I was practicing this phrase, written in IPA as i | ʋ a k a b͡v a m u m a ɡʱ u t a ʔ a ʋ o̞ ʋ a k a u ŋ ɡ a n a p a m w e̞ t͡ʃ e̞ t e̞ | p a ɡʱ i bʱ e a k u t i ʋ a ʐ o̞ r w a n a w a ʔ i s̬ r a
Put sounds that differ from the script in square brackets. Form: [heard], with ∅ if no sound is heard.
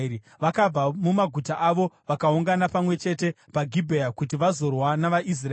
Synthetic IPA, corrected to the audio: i | ʋ a k a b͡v a m u m a ɡʱ u t a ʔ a ʋ o̞ ʋ a k a u ŋ ɡ a n a p a m w e̞ t͡ʃ e̞ t e̞ | p a ɡʱ i bʱ e a k u t i ʋ a [z] o̞ r w a n a [ʋ] a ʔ i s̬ r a